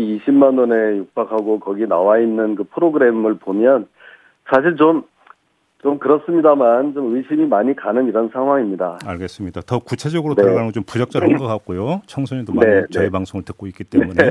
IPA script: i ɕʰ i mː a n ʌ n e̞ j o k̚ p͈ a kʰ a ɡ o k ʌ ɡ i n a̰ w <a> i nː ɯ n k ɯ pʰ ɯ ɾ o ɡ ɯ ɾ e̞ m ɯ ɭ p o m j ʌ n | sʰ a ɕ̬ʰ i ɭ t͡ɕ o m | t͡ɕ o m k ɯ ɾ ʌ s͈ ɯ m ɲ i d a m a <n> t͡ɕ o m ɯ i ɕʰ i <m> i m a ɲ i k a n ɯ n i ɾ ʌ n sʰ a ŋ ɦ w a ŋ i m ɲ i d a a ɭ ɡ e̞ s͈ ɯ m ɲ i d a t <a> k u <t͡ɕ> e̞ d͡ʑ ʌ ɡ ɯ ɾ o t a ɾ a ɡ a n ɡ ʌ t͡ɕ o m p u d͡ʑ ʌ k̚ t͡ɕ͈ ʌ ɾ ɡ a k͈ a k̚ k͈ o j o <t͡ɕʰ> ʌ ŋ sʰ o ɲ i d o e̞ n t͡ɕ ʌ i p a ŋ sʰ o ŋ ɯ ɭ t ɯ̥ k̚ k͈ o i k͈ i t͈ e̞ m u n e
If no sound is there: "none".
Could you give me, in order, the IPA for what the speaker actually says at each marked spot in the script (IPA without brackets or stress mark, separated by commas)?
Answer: a, n, m, ʌ, t͡ɕʰ, t͡ɕʰ